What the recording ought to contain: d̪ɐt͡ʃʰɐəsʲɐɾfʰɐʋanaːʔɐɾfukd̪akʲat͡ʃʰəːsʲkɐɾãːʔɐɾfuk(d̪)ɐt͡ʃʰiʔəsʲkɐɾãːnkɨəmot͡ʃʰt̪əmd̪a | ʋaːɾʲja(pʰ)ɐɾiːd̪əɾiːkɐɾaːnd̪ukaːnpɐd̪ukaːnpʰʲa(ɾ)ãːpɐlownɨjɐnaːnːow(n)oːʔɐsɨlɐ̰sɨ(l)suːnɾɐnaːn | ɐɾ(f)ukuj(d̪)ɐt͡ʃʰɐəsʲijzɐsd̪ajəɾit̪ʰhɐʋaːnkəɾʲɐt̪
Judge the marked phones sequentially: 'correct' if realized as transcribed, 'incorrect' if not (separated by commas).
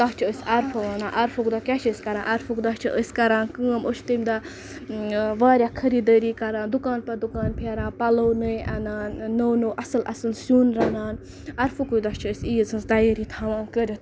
correct, incorrect, correct, correct, correct, correct, correct